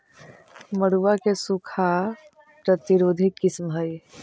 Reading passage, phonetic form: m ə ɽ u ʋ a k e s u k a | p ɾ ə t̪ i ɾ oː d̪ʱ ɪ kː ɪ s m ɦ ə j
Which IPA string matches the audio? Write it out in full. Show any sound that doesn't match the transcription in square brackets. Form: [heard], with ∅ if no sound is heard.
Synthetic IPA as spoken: m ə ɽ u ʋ a k e s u [kʰ] a | p ɾ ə t̪ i ɾ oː d̪ʱ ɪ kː ɪ s m ɦ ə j